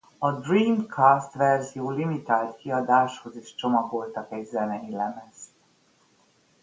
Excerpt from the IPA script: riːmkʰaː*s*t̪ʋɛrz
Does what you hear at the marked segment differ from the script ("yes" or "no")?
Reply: no